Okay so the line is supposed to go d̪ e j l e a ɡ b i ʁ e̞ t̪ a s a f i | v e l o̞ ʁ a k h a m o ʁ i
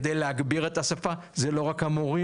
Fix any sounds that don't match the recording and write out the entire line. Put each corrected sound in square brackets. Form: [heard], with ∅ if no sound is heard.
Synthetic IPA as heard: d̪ e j l e a ɡ b i ʁ e̞ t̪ a s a f [a] | [z] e l o̞ ʁ a k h a m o ʁ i